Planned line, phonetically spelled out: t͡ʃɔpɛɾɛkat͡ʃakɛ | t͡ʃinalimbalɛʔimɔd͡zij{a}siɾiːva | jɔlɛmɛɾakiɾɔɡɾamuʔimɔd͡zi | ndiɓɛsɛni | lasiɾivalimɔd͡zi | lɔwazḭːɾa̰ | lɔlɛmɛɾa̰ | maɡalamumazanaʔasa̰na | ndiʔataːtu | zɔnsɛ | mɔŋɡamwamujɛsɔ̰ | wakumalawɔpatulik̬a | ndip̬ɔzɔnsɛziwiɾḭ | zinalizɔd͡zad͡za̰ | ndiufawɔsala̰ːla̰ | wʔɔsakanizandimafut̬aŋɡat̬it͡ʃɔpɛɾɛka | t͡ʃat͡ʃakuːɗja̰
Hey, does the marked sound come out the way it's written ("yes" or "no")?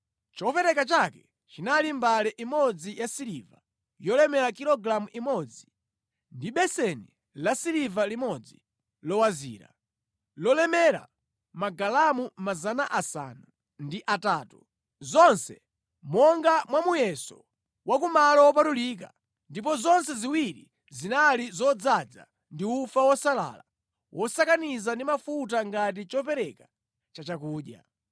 yes